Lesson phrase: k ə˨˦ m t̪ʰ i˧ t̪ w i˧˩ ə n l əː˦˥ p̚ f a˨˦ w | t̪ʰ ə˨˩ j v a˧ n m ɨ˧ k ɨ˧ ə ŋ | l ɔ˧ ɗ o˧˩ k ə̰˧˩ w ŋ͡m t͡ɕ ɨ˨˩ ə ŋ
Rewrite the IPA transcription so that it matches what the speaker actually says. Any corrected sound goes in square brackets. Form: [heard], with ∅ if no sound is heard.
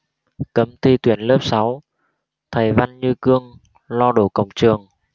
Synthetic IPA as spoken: k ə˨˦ m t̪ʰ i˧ t̪ w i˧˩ ə n l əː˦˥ p̚ [s] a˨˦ w | t̪ʰ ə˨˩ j v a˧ n [ɲ] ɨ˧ k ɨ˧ ə ŋ | l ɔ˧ ɗ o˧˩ k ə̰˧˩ w ŋ͡m t͡ɕ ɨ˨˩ ə ŋ